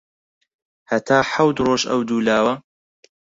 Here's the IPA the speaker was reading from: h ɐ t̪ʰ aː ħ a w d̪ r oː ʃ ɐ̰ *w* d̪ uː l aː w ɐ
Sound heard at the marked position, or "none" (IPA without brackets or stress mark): w